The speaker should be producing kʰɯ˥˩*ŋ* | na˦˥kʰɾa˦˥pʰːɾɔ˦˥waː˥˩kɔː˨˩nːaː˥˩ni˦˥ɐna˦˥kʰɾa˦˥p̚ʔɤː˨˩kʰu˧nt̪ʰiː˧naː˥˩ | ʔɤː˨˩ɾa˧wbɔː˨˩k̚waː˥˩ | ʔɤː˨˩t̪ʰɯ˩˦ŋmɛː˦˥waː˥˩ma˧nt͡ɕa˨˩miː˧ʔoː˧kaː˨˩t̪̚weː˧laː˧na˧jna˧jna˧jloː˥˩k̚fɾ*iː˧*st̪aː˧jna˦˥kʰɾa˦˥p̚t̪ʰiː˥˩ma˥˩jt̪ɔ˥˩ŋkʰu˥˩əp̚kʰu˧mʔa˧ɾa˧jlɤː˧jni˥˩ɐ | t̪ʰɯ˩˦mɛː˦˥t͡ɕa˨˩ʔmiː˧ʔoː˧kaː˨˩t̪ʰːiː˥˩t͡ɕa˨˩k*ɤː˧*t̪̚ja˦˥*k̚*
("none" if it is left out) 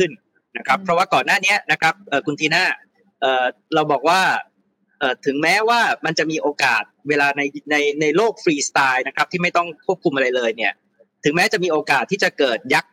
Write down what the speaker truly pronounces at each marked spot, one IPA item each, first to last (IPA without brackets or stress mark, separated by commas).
n, iː˧, ɤː˨˩, k̚